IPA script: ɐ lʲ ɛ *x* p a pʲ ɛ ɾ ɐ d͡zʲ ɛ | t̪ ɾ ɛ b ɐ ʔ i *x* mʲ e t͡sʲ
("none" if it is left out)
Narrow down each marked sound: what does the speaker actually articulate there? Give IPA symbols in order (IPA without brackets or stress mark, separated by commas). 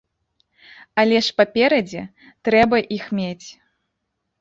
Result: ʂ, x